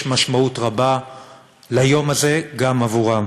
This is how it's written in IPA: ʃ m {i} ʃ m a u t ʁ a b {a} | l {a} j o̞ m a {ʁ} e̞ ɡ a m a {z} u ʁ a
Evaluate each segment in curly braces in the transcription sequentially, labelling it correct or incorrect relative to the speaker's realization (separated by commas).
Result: incorrect, correct, correct, incorrect, incorrect